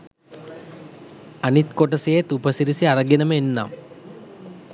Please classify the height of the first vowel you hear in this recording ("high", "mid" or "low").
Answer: low